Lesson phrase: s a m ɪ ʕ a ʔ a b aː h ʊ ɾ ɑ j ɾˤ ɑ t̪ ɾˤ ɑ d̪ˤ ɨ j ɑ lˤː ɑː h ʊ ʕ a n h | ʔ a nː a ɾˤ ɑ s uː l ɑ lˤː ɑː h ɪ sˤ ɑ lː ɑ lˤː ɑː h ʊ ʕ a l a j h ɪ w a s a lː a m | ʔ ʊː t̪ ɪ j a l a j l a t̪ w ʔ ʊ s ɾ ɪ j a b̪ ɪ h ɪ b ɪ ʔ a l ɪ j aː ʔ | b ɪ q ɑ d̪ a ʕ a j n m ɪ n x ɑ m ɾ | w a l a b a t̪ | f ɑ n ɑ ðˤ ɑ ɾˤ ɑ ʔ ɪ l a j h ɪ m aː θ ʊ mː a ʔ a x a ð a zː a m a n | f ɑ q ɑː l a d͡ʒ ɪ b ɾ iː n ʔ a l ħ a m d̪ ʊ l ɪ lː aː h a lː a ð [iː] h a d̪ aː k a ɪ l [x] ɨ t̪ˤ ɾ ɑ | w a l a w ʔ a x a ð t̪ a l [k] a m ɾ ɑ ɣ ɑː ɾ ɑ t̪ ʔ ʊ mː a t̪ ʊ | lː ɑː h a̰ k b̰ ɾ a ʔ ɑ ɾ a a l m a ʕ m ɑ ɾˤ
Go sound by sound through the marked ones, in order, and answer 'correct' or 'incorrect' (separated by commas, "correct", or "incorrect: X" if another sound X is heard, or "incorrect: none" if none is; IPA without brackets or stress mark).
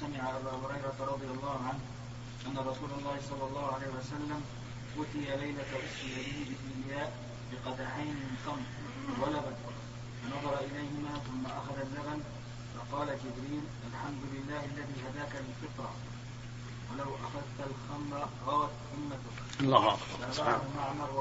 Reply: correct, incorrect: f, incorrect: x